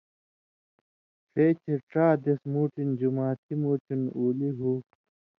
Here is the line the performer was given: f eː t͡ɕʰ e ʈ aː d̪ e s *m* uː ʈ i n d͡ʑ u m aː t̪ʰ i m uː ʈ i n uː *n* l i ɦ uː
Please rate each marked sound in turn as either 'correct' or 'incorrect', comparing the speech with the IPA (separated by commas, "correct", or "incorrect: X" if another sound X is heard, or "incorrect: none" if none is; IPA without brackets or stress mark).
correct, incorrect: none